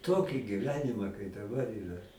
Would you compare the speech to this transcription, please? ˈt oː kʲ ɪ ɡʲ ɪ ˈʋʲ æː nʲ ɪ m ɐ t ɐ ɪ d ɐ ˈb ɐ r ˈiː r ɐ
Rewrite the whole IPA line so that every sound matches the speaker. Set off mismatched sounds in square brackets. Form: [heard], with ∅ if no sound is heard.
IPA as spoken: ˈt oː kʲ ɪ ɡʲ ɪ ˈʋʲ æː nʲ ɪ m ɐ [k] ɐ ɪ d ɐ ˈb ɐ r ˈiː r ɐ